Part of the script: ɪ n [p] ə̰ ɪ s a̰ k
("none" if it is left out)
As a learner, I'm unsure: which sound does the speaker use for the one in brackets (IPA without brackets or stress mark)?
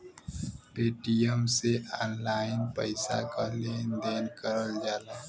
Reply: p